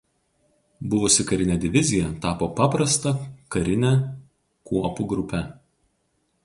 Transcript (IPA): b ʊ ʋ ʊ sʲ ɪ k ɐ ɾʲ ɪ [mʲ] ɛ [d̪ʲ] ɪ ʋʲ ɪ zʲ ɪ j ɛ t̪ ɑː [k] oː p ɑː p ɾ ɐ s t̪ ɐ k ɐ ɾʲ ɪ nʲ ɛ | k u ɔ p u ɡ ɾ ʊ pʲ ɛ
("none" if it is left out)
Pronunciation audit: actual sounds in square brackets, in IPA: nʲ, d̪ʲ, p

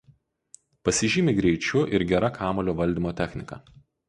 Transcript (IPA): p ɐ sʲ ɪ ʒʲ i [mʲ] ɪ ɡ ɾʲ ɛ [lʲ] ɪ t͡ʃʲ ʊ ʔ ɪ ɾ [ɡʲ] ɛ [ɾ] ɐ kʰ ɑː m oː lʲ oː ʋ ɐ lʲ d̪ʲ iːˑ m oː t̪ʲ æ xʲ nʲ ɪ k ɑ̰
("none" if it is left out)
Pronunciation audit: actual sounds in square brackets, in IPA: mʲ, none, ɡʲ, ɾ

